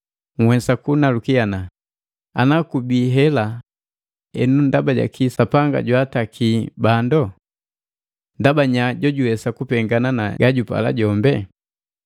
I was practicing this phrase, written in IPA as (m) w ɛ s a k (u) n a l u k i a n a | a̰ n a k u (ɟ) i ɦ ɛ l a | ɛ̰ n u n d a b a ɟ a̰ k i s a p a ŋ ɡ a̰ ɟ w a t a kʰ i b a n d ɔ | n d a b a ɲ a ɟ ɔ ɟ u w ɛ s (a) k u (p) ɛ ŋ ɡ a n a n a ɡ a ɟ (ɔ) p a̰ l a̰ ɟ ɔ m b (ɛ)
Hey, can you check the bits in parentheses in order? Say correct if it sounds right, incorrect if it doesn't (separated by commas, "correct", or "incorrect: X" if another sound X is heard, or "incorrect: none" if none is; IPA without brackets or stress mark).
incorrect: ŋ, correct, incorrect: b, correct, correct, incorrect: u, correct